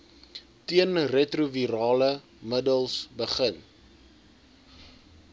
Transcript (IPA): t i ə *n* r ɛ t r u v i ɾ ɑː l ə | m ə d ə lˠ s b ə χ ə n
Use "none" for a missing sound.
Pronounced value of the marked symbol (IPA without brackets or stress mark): n